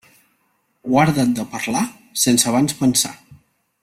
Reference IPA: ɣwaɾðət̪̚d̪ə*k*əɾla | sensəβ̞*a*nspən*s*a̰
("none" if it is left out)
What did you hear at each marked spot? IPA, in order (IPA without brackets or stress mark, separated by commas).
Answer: p, a, s